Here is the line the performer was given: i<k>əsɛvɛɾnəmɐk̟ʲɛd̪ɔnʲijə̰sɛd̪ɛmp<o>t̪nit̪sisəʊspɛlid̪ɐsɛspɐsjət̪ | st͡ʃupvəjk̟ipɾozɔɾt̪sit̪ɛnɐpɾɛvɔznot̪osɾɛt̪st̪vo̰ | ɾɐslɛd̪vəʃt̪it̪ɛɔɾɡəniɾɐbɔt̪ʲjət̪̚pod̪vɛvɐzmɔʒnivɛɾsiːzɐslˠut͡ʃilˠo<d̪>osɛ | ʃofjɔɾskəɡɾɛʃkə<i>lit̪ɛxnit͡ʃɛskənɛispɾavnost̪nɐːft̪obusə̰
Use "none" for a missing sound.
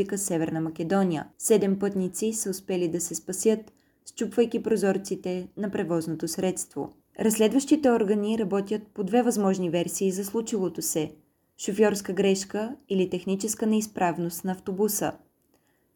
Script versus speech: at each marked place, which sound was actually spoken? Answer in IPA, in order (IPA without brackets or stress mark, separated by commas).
k, ɤ, t̪, i